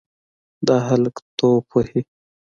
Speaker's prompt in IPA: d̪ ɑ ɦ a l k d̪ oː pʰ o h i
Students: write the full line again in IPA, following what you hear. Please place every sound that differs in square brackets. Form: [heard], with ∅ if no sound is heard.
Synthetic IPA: d̪ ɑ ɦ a l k [t̪] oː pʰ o h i